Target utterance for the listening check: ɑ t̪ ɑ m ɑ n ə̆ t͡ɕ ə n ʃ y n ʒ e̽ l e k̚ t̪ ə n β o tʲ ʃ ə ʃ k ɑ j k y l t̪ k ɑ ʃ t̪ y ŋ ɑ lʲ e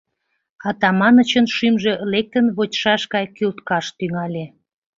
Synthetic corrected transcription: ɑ t̪ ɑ m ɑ n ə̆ t͡ɕ ə n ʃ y m ʒ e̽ l e k̚ t̪ ə n β o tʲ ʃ ɑ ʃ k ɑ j k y l t̪ k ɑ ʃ t̪ y ŋ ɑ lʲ e